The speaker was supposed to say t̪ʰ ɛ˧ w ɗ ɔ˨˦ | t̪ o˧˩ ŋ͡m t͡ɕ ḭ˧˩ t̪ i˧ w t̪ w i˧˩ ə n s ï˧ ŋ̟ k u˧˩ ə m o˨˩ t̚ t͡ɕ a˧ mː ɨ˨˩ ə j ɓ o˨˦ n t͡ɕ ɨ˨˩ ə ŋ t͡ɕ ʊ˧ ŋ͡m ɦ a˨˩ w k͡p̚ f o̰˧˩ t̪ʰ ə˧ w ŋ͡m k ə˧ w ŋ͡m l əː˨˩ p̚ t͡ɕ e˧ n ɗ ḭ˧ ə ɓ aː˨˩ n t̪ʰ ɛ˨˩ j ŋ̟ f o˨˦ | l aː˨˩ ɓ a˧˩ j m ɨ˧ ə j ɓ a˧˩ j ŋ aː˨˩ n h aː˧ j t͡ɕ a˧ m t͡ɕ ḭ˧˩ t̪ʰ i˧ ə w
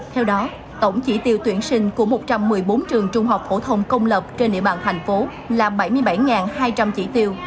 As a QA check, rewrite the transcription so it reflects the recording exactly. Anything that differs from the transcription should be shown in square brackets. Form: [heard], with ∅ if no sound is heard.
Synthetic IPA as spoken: t̪ʰ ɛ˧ w ɗ ɔ˨˦ | t̪ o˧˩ ŋ͡m t͡ɕ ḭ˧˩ t̪ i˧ w t̪ w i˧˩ ə n s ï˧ ŋ̟ k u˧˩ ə m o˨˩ t̚ t͡ɕ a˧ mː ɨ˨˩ ə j ɓ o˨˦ n t͡ɕ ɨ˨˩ ə ŋ t͡ɕ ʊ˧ ŋ͡m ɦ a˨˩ w k͡p̚ f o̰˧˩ t̪ʰ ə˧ w ŋ͡m k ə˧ w ŋ͡m l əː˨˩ p̚ t͡ɕ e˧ n ɗ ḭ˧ ə ɓ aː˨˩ n t̪ʰ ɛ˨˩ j ŋ̟ f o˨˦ | l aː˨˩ ɓ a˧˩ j m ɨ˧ ə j ɓ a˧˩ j ŋ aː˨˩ n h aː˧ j t͡ɕ a˧ m t͡ɕ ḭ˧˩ [t̪] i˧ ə w